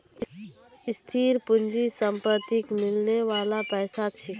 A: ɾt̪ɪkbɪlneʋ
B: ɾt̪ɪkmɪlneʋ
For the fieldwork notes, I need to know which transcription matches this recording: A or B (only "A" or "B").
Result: B